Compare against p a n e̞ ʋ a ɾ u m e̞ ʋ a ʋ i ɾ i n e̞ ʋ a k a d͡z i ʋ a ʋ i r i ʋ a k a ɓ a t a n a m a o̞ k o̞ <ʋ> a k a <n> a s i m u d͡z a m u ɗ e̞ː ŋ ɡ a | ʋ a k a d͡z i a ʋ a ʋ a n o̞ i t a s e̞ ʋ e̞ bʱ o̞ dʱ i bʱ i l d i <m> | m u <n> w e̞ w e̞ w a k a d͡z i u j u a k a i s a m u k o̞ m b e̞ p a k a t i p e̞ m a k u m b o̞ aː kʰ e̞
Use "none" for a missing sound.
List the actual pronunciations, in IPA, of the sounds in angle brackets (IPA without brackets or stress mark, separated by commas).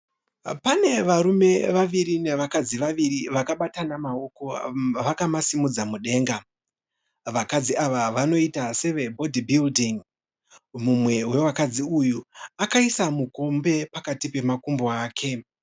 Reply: ʋ, m, ŋ, m